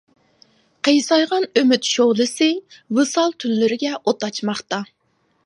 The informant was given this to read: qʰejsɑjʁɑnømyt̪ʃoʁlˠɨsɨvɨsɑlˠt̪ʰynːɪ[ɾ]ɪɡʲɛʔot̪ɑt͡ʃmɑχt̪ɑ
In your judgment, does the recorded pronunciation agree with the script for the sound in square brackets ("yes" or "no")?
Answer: yes